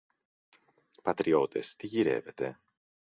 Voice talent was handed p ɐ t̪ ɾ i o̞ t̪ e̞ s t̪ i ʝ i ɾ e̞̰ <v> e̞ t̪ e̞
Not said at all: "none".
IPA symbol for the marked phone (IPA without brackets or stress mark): v